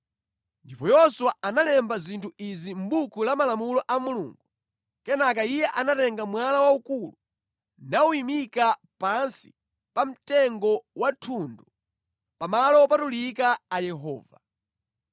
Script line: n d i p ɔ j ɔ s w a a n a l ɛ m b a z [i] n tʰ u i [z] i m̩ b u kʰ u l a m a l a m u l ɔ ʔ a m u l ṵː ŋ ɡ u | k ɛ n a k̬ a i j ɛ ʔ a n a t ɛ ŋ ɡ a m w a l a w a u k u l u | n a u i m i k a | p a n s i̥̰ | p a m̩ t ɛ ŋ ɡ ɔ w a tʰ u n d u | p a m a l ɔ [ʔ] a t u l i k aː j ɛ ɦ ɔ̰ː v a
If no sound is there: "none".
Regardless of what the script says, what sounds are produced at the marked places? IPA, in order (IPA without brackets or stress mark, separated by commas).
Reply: i, z, p